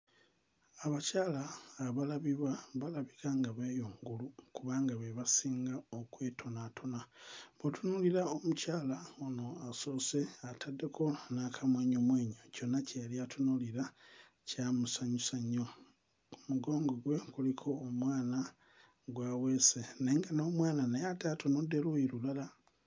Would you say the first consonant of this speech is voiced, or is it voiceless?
voiced